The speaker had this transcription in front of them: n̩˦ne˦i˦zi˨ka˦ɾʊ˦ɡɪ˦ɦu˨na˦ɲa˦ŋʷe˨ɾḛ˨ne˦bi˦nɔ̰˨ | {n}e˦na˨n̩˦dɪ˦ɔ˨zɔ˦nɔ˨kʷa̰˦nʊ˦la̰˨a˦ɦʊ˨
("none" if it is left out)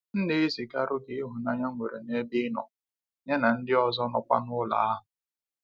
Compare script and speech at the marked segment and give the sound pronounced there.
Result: ɲ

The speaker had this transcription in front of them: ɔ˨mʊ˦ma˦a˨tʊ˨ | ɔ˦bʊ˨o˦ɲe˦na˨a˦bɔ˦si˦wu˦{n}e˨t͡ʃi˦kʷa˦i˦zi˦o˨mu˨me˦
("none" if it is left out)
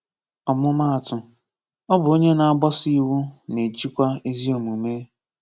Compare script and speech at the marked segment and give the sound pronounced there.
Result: n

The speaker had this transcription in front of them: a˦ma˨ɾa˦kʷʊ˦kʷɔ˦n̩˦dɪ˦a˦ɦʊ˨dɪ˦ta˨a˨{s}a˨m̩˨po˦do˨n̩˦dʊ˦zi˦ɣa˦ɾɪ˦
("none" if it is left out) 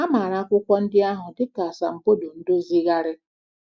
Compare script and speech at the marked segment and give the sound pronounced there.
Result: s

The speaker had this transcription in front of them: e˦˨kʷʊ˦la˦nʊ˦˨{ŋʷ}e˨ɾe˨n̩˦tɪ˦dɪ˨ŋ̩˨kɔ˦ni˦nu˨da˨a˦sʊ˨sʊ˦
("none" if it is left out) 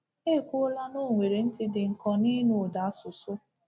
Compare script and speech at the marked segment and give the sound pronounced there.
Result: ŋʷ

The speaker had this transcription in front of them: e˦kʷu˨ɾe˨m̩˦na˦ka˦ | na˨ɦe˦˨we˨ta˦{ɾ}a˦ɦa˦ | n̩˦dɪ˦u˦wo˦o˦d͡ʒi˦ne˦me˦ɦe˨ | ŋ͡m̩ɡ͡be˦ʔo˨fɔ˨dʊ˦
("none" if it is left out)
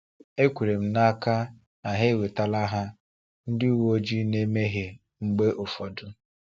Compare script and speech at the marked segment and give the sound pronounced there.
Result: l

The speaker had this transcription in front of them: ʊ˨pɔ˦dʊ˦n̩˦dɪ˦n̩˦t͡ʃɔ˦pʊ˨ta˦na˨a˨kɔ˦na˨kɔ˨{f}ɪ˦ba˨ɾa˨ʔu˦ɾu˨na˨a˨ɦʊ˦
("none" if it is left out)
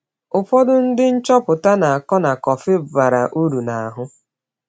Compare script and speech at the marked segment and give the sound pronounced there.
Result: f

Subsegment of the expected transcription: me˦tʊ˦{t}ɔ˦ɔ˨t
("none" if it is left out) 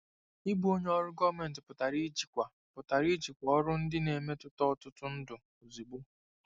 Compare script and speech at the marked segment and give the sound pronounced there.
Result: t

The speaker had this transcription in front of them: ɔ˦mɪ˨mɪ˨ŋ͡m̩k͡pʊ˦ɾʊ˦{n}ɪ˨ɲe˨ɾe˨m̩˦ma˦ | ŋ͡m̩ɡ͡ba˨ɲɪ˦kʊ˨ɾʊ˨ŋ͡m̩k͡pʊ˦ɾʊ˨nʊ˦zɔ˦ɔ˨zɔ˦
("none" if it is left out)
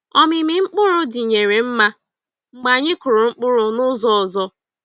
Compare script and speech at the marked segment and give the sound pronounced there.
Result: d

